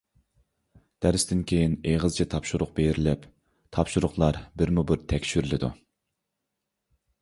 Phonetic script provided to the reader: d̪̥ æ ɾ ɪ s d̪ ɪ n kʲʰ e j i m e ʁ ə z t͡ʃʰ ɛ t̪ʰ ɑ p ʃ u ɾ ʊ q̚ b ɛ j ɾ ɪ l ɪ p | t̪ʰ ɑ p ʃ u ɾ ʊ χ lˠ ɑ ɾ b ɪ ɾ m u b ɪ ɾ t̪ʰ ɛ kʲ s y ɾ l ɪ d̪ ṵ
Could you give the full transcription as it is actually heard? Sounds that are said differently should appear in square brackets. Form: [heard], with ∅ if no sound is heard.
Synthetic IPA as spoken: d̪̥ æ ɾ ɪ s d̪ ɪ n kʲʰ e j i [n] e ʁ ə z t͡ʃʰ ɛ t̪ʰ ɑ p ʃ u ɾ ʊ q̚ b [e] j ɾ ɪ l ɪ p | t̪ʰ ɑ p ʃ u ɾ ʊ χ lˠ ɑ ɾ b ɪ ɾ m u b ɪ ɾ t̪ʰ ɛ kʲ [ʃ] y ɾ l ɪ d̪ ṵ